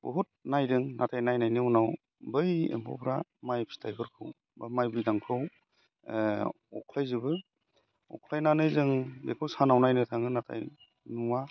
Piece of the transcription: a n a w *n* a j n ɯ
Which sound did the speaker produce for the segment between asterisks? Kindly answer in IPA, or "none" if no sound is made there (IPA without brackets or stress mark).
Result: n